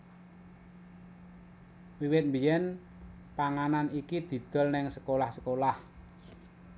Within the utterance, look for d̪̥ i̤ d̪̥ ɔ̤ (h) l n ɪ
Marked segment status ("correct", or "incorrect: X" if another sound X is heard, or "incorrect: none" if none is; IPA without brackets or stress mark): incorrect: none